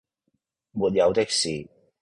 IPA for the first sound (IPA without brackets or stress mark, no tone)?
m